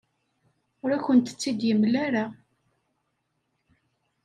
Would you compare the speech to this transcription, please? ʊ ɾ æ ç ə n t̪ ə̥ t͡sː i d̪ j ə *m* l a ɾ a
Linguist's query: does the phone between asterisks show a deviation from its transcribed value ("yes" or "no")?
no